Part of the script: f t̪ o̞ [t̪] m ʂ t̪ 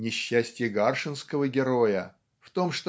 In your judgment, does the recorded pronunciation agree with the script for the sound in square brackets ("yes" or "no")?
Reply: no